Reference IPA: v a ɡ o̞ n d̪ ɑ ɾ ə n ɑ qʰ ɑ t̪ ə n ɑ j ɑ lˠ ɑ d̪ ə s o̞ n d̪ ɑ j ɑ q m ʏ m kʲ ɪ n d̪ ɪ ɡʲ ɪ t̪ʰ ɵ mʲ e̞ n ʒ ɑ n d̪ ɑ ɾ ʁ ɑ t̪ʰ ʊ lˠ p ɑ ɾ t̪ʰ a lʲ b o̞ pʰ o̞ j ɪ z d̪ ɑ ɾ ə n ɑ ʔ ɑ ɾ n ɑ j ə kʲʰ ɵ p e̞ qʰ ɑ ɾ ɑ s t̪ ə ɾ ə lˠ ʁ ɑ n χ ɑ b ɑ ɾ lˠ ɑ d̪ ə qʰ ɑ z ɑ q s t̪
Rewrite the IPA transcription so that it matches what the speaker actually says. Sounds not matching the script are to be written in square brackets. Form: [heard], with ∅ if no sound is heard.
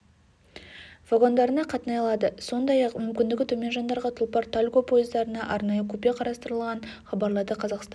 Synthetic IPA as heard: v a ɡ o̞ n d̪ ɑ ɾ ə n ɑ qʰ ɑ t̪ ə n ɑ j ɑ lˠ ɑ d̪ ə s o̞ n d̪ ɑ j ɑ q m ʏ m kʲ ɪ n d̪ ɪ ɡʲ ɪ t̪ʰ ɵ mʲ e̞ n ʒ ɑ n d̪ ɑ ɾ ʁ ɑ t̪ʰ ʊ lˠ p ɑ ɾ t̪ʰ a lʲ [ɡ] o̞ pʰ o̞ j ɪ z d̪ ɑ ɾ ə n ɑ ʔ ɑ ɾ n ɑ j ə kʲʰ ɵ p e̞ qʰ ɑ ɾ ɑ s t̪ ə ɾ ə lˠ ʁ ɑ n χ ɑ b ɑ ɾ lˠ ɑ d̪ ə qʰ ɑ z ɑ q s t̪